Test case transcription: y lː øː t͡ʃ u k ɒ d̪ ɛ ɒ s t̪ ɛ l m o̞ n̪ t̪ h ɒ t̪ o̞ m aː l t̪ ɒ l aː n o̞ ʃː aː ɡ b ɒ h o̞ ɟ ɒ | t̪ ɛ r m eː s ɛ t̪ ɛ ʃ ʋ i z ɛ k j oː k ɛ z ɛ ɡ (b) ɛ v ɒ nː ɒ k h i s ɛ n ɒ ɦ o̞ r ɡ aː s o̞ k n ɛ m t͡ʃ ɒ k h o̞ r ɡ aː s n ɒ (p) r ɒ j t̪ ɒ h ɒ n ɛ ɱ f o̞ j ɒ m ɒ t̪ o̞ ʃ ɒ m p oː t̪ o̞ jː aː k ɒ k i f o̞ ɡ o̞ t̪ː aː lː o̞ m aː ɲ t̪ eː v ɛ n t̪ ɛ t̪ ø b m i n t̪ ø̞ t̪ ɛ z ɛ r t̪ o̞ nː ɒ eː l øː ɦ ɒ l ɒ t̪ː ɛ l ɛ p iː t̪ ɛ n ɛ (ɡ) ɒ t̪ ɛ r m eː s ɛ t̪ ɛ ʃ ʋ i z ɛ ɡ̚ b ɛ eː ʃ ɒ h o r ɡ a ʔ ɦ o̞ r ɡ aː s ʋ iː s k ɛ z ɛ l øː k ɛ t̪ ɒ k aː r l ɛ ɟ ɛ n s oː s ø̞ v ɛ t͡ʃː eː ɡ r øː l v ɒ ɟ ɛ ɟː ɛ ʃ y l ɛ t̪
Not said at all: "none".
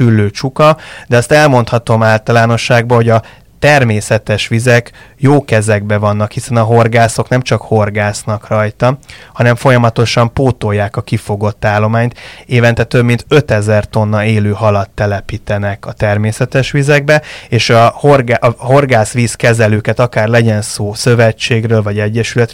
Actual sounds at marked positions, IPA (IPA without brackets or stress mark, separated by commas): b, k, k